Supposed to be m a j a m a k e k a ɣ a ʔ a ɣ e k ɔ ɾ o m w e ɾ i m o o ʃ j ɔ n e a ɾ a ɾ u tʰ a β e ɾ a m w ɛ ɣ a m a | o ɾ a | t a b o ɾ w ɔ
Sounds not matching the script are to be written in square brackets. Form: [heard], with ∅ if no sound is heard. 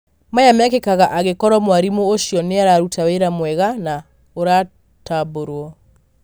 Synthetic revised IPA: m a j a m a k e k a ɣ a ʔ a ɣ e k ɔ ɾ [ɔ] m w [a] ɾ i m o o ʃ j ɔ n e a ɾ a ɾ u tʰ a [w] e ɾ a m w ɛ ɣ a [n] a | o ɾ a | t a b o ɾ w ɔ